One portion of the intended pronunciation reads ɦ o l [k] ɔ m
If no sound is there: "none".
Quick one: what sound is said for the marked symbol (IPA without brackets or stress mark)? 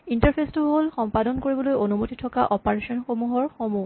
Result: x